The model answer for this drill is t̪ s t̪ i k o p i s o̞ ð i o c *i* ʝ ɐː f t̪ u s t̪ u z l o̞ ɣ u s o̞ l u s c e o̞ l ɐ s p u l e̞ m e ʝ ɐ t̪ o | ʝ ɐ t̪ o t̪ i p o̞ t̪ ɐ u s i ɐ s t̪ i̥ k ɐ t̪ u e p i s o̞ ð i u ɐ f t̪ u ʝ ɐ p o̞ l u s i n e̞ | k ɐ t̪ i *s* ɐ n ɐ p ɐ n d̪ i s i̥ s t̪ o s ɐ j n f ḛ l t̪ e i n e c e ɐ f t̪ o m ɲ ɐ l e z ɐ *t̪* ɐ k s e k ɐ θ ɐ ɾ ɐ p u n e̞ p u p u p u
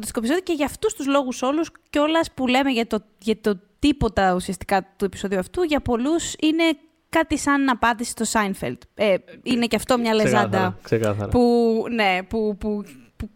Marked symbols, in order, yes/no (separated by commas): no, yes, no